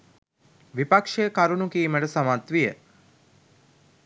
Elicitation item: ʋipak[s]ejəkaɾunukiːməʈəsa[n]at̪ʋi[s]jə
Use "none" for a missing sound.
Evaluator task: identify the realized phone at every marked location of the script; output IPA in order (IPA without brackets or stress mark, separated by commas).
ʂ, m, none